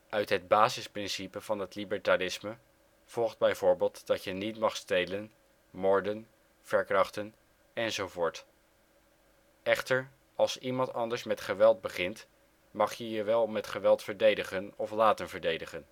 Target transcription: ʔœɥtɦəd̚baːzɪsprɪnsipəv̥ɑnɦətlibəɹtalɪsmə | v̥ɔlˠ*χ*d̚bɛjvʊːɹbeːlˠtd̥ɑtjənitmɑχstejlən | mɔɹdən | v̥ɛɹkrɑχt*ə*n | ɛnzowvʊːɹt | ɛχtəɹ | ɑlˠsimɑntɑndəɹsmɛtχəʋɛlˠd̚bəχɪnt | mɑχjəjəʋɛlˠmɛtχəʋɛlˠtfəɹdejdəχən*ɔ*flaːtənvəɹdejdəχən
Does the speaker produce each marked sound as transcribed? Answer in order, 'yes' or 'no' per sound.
yes, yes, yes

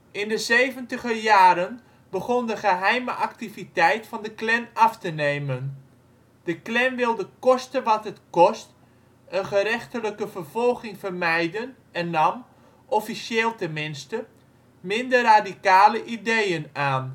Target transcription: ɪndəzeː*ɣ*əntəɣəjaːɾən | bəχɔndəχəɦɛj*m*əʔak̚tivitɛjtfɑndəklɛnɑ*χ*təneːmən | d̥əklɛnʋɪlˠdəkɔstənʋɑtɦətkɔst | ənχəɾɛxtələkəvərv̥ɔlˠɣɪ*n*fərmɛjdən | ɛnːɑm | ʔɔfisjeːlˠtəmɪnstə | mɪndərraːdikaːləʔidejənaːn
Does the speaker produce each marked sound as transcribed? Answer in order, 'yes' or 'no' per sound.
no, yes, no, no

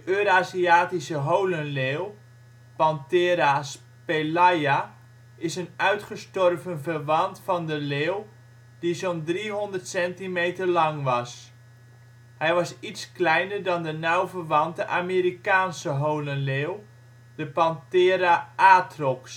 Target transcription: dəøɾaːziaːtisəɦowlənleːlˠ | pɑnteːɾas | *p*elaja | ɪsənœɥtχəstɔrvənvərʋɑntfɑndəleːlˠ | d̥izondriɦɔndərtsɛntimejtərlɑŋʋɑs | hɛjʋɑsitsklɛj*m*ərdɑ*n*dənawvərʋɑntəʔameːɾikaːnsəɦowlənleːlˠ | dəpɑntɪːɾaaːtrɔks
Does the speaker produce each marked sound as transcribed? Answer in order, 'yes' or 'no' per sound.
yes, no, yes

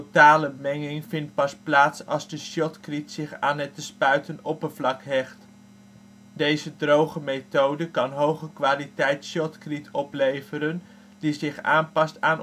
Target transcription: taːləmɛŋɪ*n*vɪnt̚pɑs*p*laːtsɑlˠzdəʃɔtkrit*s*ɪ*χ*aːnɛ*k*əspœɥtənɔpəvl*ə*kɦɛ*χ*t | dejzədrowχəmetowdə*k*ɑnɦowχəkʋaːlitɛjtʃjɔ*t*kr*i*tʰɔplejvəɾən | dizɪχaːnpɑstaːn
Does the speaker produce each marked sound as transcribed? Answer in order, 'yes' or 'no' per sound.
no, yes, yes, yes, no, no, yes, yes, yes, yes

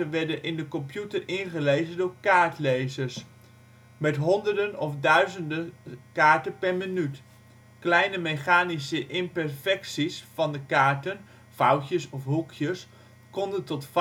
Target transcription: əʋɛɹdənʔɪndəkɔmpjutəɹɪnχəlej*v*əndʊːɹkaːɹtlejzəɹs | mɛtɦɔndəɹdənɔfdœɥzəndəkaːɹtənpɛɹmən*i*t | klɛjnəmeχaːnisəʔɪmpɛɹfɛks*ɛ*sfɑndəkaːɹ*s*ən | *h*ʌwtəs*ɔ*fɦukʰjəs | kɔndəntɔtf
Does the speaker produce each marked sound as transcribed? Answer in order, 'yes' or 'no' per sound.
no, no, no, no, no, yes

